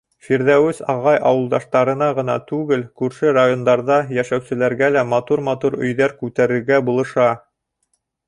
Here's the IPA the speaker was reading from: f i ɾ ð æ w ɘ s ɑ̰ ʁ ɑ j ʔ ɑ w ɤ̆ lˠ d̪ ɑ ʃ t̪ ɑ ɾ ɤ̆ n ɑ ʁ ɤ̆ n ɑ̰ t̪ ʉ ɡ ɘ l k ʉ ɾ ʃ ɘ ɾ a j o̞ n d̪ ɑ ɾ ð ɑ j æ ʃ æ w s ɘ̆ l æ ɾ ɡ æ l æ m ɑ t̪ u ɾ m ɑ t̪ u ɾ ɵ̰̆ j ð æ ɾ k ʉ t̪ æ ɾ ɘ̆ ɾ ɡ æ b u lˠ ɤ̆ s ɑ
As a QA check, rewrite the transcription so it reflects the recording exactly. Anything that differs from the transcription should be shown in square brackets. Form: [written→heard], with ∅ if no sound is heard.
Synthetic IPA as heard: f i ɾ ð æ w ɘ s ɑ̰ ʁ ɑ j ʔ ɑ w ɤ̆ lˠ d̪ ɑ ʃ t̪ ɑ ɾ ɤ̆ n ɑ ʁ ɤ̆ n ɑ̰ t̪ ʉ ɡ ɘ l k ʉ ɾ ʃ ɘ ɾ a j o̞ n d̪ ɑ ɾ ð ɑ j æ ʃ æ w s ɘ̆ l æ ɾ ɡ æ l æ m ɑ t̪ u ɾ m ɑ t̪ u ɾ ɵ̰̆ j ð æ ɾ k ʉ t̪ æ ɾ ɘ̆ ɾ ɡ æ b u lˠ ɤ̆ [s→ʃ] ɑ

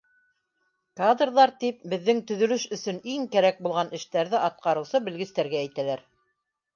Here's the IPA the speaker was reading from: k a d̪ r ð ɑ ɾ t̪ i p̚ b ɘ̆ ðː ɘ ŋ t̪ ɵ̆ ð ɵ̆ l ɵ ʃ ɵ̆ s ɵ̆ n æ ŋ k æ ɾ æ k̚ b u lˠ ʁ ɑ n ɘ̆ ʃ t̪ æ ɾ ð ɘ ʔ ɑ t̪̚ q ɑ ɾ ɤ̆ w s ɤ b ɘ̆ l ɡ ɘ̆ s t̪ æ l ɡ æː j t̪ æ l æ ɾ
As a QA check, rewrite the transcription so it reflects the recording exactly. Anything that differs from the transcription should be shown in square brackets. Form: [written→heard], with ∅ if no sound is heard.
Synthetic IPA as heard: k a d̪ r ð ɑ ɾ t̪ i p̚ b ɘ̆ ðː ɘ ŋ t̪ ɵ̆ ð ɵ̆ l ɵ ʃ ɵ̆ s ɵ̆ n [æ→i] ŋ k æ ɾ æ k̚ b u lˠ ʁ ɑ n ɘ̆ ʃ t̪ æ ɾ ð ɘ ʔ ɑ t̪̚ q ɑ ɾ ɤ̆ w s ɤ b ɘ̆ l ɡ ɘ̆ s t̪ æ [l→ɾ] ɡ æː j t̪ æ l æ ɾ

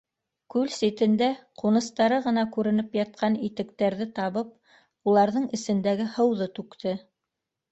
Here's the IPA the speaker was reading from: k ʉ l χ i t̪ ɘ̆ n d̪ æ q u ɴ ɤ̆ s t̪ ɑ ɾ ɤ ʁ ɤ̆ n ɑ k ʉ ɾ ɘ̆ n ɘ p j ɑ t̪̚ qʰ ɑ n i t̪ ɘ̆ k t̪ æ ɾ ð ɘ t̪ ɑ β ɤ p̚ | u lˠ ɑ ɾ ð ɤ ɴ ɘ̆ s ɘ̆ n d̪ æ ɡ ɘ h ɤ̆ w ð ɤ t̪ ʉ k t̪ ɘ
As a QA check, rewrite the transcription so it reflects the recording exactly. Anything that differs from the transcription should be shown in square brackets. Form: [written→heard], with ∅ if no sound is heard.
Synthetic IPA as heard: k ʉ l [χ→s] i t̪ ɘ̆ n d̪ æ q u [ɴ→n] ɤ̆ s t̪ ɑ ɾ ɤ ʁ ɤ̆ n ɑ k ʉ ɾ ɘ̆ n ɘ p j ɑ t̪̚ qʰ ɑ n i t̪ ɘ̆ k t̪ æ ɾ ð ɘ t̪ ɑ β ɤ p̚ | u lˠ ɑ ɾ ð ɤ ɴ ɘ̆ s ɘ̆ n d̪ æ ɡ ɘ h ɤ̆ w ð ɤ t̪ ʉ k t̪ ɘ

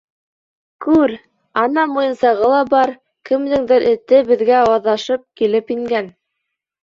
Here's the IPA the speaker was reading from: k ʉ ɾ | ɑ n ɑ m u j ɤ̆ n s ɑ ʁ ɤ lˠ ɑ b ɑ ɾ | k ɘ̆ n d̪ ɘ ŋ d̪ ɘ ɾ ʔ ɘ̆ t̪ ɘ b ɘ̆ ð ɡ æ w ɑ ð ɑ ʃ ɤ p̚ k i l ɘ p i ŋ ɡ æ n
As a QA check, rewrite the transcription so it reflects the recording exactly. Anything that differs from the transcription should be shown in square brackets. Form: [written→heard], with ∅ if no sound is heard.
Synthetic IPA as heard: k ʉ ɾ | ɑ n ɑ m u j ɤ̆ n s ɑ ʁ ɤ lˠ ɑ b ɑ ɾ | k ɘ̆ [n→m] d̪ ɘ ŋ d̪ ɘ ɾ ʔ ɘ̆ t̪ ɘ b ɘ̆ ð ɡ æ w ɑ ð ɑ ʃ ɤ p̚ k i l ɘ p i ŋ ɡ æ n

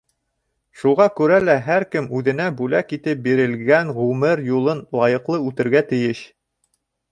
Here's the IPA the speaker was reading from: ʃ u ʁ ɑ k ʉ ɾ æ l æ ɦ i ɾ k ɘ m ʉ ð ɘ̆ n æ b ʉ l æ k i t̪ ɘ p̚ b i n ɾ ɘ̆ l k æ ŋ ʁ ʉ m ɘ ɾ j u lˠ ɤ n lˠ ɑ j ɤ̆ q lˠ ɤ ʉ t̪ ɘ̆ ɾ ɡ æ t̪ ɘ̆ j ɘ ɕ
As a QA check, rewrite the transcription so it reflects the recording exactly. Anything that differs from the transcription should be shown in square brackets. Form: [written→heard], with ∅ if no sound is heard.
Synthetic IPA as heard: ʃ u ʁ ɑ k ʉ ɾ æ l æ ɦ [i→æ] ɾ k ɘ m ʉ ð ɘ̆ n æ b ʉ l æ k i t̪ ɘ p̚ b i [n→∅] ɾ ɘ̆ l [k→ɡ] æ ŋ ʁ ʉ m ɘ ɾ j u lˠ ɤ n lˠ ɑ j ɤ̆ q lˠ ɤ ʉ t̪ ɘ̆ ɾ ɡ æ t̪ ɘ̆ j ɘ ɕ

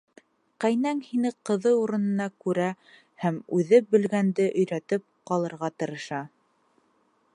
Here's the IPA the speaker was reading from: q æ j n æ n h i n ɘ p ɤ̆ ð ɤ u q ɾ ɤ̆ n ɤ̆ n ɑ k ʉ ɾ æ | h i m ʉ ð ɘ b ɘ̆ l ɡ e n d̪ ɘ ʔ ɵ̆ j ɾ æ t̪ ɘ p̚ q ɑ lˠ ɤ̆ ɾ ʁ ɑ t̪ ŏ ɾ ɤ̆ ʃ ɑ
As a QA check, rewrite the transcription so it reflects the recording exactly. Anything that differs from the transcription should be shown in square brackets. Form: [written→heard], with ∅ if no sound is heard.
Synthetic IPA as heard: q æ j n æ [n→ŋ] h i n ɘ [p→q] ɤ̆ ð ɤ u [q→∅] ɾ ɤ̆ n ɤ̆ n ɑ k ʉ ɾ æ | h [i→æ] m ʉ ð ɘ b ɘ̆ l ɡ [e→æ] n d̪ ɘ ʔ ɵ̆ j ɾ æ t̪ ɘ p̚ q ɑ lˠ ɤ̆ ɾ ʁ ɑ t̪ [ŏ→ɤ̆] ɾ ɤ̆ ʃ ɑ

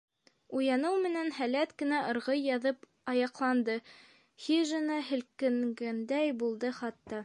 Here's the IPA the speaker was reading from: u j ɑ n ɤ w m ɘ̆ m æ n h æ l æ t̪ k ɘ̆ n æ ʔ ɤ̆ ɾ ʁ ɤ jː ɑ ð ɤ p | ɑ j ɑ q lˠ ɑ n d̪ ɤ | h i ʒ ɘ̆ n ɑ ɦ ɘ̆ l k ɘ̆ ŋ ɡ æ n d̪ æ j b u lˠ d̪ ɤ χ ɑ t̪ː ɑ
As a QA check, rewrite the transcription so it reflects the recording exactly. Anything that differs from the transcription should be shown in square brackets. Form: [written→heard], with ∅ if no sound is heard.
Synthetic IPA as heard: u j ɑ n ɤ w m ɘ̆ [m→n] æ n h æ l æ t̪ k ɘ̆ n æ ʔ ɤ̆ ɾ ʁ ɤ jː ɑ ð ɤ p | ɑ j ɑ q lˠ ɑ n d̪ ɤ | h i ʒ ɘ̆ n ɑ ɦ ɘ̆ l k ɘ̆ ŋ ɡ æ n d̪ æ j b u lˠ d̪ ɤ χ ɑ t̪ː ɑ

